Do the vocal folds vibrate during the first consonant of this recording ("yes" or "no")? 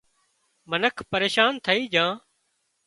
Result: yes